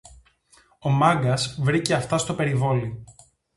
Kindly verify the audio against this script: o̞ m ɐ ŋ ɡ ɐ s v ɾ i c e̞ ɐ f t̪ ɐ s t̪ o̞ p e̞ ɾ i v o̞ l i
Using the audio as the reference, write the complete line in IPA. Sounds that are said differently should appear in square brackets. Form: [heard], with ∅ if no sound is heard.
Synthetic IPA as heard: o̞ m ɐ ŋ ɡ ɐ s v ɾ i c e̞ ɐ f t̪ ɐ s t̪ o̞ p e̞ ɾ i v o̞ l i